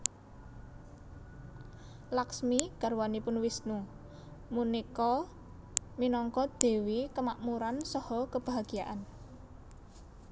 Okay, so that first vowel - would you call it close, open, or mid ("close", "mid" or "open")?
open